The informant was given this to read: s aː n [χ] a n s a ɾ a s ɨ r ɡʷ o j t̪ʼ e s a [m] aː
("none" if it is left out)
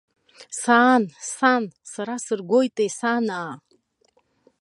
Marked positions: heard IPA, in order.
s, n

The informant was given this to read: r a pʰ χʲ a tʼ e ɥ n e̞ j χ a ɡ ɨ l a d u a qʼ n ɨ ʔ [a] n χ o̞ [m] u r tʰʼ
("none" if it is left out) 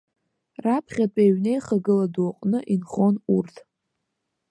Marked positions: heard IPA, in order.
i, n

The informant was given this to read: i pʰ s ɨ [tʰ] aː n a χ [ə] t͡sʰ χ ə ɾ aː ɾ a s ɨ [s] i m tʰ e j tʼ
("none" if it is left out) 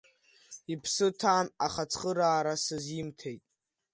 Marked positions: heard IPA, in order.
tʰ, a, z

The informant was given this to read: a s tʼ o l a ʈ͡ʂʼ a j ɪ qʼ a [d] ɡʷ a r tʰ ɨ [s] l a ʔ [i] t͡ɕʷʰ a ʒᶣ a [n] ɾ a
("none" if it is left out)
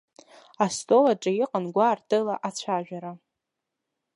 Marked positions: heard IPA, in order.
n, none, a, none

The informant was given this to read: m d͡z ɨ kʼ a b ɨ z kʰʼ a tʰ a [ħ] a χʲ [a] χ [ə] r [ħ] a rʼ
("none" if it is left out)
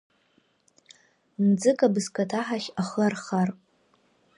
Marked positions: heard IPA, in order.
ħ, a, a, χ

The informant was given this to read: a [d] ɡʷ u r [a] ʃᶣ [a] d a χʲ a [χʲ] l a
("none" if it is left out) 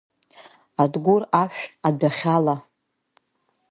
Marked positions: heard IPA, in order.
d, a, a, none

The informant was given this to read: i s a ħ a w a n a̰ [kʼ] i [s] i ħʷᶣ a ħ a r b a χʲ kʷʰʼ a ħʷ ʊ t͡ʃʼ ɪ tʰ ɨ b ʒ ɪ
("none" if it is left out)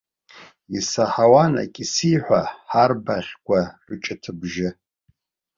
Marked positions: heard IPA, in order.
kʼ, s

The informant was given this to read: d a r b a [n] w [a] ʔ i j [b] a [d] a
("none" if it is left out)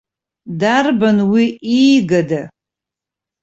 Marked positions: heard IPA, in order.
n, i, ɡ, d

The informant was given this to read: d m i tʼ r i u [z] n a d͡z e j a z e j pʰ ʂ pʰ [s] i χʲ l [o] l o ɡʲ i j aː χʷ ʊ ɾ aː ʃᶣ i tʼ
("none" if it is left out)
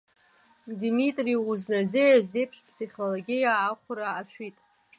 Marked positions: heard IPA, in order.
z, s, o

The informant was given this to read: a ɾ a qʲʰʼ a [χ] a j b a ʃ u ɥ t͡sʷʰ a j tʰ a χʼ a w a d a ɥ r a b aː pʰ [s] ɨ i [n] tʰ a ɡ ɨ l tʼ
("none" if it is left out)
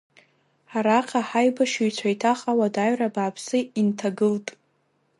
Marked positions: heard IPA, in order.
ħ, s, n

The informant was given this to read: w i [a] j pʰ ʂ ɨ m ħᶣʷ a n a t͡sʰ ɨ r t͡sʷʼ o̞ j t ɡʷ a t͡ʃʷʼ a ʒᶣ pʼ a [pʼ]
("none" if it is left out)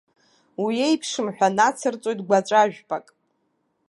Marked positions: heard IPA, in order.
e, kʼ

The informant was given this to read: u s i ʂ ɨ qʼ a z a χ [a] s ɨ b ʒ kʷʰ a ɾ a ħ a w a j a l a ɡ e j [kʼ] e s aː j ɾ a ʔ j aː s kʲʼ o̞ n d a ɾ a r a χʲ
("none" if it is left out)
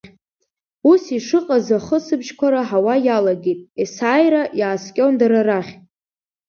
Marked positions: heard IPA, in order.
ə, tʼ

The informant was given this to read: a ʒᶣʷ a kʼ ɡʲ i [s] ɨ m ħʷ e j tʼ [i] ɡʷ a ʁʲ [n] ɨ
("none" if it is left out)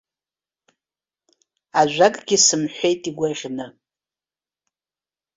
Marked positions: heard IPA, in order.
s, i, n

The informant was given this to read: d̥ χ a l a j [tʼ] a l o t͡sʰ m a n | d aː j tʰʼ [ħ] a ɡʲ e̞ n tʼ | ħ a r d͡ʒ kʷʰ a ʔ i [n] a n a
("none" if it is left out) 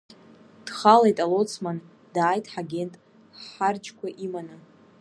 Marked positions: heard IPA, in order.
tʼ, ħ, m

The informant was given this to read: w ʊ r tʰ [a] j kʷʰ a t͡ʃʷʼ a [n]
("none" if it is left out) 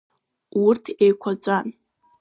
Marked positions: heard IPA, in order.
e, n

